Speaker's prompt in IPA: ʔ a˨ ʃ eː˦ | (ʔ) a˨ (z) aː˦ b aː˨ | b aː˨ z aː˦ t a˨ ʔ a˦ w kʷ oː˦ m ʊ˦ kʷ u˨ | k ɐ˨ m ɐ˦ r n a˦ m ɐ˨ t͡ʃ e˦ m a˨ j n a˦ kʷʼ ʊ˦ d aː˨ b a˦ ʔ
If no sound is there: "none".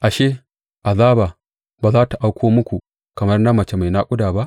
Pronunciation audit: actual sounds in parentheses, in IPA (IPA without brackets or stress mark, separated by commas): ʔ, z